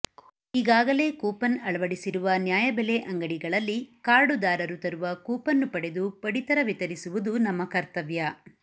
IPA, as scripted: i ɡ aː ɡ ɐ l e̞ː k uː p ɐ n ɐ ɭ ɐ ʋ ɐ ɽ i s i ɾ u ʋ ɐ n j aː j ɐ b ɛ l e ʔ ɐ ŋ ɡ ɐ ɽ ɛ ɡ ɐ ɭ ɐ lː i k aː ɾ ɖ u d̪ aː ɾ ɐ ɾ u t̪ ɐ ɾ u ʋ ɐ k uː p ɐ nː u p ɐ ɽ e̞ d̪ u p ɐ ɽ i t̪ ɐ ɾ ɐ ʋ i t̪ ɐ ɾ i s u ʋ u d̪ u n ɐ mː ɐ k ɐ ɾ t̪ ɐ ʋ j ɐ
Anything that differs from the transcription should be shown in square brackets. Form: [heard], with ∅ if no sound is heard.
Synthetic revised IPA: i ɡ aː ɡ ɐ l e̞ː k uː p ɐ n ɐ ɭ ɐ ʋ ɐ ɽ i s i ɾ u ʋ ɐ n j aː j ɐ b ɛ l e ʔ ɐ ŋ ɡ ɐ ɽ [i] ɡ ɐ ɭ ɐ lː i k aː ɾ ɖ u d̪ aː ɾ ɐ ɾ u t̪ ɐ ɾ u ʋ ɐ k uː p ɐ nː u p ɐ ɽ e̞ d̪ u p ɐ ɽ i t̪ ɐ ɾ ɐ ʋ i t̪ ɐ ɾ i s u ʋ u d̪ u n ɐ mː ɐ k ɐ ɾ t̪ ɐ ʋ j ɐ